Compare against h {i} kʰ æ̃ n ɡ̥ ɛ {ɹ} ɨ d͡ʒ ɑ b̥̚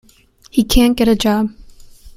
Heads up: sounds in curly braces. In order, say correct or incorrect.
correct, incorrect: ɾ

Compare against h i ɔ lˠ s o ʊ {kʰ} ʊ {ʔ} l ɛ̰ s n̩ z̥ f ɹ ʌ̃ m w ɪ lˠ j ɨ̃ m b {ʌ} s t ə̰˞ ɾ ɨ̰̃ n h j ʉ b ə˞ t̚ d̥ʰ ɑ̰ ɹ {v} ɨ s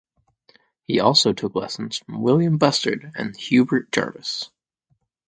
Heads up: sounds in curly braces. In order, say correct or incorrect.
incorrect: tʰ, incorrect: k, correct, correct

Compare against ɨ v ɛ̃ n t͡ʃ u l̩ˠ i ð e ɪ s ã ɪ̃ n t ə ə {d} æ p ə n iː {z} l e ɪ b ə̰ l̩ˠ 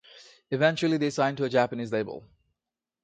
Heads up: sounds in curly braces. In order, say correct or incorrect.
incorrect: d͡ʒ, correct

